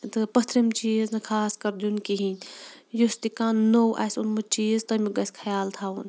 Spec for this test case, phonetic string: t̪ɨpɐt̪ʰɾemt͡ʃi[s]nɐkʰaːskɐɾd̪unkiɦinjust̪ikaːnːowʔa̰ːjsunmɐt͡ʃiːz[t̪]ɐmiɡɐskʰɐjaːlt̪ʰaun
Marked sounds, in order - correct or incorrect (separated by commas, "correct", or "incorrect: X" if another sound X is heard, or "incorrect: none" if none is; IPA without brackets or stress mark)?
incorrect: z, correct